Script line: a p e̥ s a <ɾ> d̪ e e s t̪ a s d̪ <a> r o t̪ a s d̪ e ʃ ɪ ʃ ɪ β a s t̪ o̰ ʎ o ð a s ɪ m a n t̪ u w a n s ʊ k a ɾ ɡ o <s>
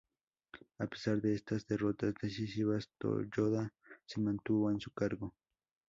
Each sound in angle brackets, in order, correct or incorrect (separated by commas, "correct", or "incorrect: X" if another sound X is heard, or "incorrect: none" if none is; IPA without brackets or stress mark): correct, incorrect: e, incorrect: none